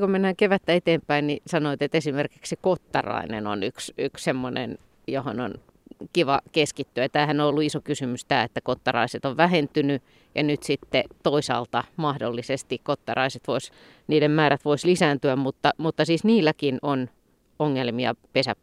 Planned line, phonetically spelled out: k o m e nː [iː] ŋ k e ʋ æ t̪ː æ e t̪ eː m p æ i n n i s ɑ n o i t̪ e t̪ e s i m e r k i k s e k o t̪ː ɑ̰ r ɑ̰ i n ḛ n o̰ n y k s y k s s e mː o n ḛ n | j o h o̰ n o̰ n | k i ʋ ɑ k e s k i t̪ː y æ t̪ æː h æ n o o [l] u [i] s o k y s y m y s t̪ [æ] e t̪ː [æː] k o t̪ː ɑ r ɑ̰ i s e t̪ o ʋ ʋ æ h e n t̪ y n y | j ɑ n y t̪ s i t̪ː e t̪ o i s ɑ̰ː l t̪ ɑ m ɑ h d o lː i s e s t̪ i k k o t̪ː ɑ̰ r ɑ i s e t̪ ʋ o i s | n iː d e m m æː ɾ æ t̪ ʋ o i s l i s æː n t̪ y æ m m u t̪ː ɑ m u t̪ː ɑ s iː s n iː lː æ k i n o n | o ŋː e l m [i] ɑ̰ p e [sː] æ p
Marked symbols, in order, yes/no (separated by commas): no, no, yes, no, no, yes, no